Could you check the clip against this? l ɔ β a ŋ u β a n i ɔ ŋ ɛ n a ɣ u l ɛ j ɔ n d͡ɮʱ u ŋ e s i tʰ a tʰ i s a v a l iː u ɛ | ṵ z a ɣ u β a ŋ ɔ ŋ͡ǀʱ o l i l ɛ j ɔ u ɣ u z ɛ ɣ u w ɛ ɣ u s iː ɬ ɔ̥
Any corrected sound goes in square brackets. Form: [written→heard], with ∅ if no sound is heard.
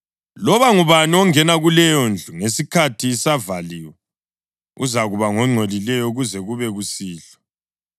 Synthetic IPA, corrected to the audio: l ɔ β a ŋ u β a n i ɔ ŋ ɛ n a ɣ u l ɛ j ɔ n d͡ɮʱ u ŋ e s i [tʰ→kʰ] a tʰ i s a v a l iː [u→w] ɛ | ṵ z a ɣ u β a ŋ ɔ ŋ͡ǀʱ o l i l ɛ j ɔ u ɣ u z ɛ ɣ u [w→β] ɛ ɣ u s iː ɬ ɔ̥